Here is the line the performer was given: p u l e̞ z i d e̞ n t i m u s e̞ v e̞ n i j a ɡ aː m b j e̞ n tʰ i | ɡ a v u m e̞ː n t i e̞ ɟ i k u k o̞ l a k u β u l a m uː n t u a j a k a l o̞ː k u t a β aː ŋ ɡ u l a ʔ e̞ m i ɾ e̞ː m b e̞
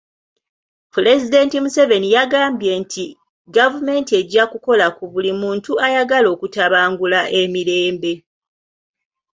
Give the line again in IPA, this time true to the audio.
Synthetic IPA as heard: p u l e̞ z i d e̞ n t i m u s e̞ v e̞ n i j a ɡ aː m b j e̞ n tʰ i | ɡ a v u m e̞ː n t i e̞ ɟ a k u k o̞ l a k u β u l i m uː n t u a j a ɡ a l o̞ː k u t a β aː ŋ ɡ u l a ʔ e̞ m i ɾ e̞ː m b e̞